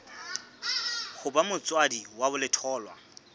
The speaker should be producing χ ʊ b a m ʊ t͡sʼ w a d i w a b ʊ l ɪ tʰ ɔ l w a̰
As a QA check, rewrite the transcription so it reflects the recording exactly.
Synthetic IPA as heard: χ ʊ b a m ʊ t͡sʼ w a d i w a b ʊ l ɪ tʰ ɔː l w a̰